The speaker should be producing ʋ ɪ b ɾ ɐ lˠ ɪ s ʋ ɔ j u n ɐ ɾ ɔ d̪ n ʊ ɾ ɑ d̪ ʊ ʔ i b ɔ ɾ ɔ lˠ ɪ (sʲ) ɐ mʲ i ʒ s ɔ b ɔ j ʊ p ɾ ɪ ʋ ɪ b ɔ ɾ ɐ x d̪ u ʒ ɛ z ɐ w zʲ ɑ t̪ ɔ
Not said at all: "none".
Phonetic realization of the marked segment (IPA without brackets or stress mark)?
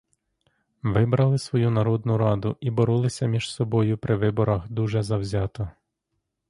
sʲ